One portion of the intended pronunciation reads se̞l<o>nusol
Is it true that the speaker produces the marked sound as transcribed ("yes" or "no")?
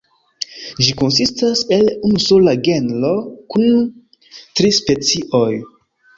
no